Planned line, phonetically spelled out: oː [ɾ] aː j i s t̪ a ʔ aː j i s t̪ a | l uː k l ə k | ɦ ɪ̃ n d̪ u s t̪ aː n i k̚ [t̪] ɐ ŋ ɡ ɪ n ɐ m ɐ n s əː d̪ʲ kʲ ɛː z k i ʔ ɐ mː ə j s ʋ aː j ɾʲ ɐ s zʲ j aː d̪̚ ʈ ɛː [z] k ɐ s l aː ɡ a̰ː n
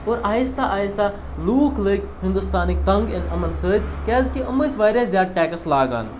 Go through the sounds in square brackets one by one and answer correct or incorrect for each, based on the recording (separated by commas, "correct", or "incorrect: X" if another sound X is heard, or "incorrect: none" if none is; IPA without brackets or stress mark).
correct, correct, incorrect: none